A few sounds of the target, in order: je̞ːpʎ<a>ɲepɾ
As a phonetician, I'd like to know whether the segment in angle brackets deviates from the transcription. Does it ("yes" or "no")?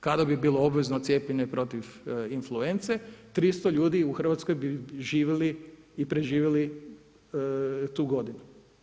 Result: yes